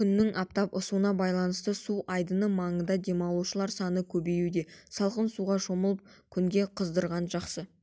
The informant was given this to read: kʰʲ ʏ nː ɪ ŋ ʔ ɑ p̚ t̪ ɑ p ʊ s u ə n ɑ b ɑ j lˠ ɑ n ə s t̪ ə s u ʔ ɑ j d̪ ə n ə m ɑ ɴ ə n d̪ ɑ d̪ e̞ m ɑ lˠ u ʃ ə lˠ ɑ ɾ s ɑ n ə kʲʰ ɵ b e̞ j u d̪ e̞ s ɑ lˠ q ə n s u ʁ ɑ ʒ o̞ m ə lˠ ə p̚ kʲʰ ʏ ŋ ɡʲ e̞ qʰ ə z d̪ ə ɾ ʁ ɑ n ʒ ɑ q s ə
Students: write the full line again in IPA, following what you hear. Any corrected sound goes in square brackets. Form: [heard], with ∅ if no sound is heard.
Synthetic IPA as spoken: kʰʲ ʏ nː ɪ ŋ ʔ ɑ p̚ t̪ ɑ p ʊ s u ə n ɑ b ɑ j lˠ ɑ n ə s t̪ ə s u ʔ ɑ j d̪ ə n ə m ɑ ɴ ə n d̪ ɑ d̪ e̞ m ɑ lˠ u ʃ ə lˠ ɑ ɾ s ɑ n ə kʲʰ ɵ b e̞ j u d̪ e̞ s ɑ lˠ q ə n s u ʁ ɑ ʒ o̞ m ə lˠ ə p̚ kʲʰ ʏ ŋ ɡʲ e̞ qʰ ə z d̪ ə ɾ ʁ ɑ n ʒ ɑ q s ə